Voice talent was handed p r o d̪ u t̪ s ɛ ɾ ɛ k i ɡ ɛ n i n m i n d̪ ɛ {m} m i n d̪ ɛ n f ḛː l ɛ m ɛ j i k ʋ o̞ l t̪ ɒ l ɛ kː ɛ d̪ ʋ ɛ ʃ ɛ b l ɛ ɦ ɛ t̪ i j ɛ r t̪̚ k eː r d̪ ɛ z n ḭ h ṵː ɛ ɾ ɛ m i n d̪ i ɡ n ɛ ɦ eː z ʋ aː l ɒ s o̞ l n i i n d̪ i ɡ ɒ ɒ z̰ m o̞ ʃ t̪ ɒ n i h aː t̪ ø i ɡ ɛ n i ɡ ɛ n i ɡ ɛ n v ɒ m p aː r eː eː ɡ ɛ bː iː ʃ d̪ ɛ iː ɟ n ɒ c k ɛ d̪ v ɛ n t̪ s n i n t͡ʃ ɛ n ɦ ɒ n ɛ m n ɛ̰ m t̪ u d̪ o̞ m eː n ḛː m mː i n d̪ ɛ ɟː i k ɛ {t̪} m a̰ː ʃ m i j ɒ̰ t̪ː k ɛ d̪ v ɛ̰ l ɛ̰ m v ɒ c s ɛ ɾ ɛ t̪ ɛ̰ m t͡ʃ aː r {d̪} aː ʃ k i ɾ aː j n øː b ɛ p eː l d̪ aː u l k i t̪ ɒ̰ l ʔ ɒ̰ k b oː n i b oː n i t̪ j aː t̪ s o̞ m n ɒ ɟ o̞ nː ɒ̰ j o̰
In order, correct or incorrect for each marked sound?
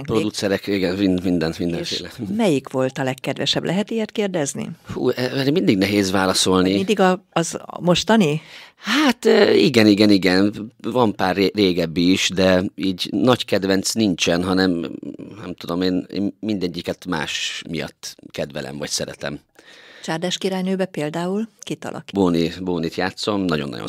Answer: incorrect, correct, correct

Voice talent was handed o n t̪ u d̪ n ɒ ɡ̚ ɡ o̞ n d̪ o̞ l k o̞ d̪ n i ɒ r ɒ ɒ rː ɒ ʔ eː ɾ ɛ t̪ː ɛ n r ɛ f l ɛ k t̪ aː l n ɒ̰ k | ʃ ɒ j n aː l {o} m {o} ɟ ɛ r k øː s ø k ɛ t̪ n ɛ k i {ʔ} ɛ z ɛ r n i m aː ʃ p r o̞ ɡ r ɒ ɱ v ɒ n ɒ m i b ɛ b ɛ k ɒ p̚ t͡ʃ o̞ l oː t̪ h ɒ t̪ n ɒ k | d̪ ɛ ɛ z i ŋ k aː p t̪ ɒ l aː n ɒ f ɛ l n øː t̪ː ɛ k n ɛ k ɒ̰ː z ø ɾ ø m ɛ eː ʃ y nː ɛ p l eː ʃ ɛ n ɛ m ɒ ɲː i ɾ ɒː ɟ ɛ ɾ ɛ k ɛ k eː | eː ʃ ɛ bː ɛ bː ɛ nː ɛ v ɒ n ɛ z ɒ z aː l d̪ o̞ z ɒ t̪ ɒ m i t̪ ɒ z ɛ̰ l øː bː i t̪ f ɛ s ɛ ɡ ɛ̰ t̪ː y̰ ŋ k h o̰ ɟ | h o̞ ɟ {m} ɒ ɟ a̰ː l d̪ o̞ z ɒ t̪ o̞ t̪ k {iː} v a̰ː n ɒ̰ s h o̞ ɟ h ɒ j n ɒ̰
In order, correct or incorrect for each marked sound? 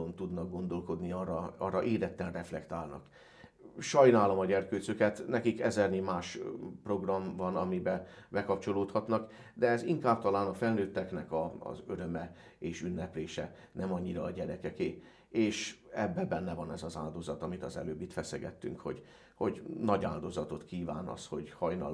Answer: correct, incorrect, incorrect, incorrect, correct

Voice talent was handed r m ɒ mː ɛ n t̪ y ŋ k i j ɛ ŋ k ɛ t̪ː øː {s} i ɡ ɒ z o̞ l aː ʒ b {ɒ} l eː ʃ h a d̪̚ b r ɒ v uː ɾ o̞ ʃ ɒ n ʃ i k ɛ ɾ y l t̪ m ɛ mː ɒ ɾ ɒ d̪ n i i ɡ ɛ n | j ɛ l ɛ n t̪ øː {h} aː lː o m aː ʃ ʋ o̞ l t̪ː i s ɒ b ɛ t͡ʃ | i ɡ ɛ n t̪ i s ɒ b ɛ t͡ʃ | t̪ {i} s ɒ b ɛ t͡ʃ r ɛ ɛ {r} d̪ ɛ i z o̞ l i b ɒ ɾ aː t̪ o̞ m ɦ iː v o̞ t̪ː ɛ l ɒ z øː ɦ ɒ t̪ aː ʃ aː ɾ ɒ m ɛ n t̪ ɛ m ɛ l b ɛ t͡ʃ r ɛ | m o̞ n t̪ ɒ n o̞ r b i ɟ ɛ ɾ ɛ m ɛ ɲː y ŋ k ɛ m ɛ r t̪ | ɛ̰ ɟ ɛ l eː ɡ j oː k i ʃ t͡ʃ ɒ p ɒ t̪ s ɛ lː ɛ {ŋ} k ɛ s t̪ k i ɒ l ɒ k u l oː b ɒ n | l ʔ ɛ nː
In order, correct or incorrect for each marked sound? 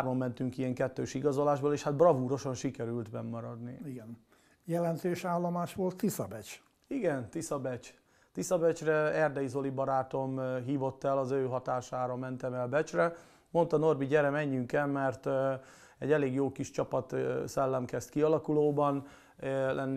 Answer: incorrect, incorrect, incorrect, correct, correct, incorrect

